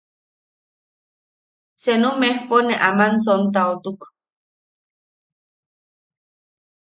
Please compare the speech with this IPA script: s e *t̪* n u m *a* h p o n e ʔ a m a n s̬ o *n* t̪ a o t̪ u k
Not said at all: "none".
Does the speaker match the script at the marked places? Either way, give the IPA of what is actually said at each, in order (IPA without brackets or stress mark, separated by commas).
none, e, n